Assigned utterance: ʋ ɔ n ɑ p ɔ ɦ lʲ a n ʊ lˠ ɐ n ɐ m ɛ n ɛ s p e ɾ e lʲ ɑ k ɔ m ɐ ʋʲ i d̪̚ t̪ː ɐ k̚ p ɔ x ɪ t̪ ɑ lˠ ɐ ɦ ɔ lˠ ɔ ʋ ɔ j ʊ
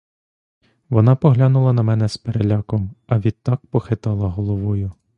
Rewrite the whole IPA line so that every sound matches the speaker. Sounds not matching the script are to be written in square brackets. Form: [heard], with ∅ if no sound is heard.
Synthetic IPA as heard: ʋ ɔ n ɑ p ɔ ɦ lʲ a n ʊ lˠ ɐ n ɐ m ɛ n ɛ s p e ɾ e lʲ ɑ k ɔ m ɐ ʋʲ i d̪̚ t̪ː [ɑ] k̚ p ɔ x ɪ t̪ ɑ lˠ ɐ ɦ ɔ lˠ ɔ ʋ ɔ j ʊ